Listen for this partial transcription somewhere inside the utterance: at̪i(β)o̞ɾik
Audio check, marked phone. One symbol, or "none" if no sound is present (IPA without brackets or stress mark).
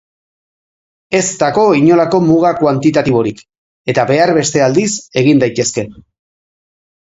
β